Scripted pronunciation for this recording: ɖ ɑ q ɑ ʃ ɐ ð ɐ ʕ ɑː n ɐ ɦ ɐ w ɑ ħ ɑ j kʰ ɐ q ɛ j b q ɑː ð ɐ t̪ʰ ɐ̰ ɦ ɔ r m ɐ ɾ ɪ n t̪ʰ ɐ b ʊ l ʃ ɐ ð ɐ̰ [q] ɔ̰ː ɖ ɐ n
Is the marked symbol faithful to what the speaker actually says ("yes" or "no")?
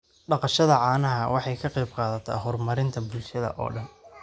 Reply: no